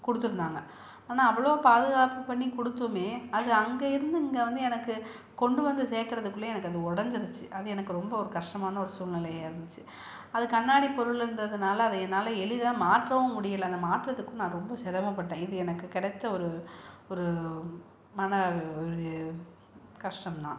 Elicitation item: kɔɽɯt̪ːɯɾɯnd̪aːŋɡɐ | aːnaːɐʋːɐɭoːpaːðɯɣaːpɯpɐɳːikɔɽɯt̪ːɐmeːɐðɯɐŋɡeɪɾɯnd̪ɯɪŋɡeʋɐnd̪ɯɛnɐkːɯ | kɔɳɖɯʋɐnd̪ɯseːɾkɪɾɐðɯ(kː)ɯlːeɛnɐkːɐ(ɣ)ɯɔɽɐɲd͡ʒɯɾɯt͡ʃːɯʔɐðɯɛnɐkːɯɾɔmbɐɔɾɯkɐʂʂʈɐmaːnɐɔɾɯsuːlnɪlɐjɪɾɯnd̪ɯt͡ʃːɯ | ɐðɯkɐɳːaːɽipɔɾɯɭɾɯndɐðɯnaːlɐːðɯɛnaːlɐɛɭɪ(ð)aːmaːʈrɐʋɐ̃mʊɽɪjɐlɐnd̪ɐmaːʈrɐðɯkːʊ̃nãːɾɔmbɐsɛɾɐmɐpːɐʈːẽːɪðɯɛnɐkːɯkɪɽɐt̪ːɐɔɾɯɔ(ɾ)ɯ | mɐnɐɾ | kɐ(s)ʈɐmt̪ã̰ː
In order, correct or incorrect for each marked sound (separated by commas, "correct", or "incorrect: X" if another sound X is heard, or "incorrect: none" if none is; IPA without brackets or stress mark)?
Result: correct, incorrect: ð, correct, correct, incorrect: ʂ